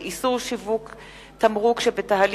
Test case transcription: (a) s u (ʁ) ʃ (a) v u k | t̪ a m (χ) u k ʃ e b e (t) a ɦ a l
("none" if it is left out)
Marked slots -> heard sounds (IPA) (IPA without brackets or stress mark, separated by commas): i, ʁ, i, ʁ, t